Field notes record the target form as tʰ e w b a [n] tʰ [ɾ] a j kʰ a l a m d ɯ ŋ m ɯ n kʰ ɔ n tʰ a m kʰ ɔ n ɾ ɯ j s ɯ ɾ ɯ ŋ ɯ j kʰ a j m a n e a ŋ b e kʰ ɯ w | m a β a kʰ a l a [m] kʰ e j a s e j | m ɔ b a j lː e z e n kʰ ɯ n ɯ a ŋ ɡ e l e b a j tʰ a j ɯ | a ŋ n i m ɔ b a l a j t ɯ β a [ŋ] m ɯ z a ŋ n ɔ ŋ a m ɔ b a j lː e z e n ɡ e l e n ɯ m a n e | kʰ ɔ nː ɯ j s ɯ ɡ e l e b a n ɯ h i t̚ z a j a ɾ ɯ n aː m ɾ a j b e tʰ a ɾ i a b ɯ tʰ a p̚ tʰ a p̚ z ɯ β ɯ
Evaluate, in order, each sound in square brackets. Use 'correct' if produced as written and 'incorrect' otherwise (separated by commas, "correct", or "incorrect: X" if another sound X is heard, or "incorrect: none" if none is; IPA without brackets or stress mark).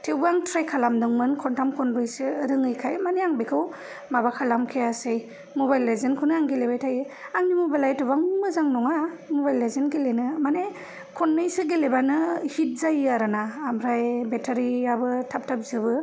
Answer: incorrect: ŋ, correct, correct, correct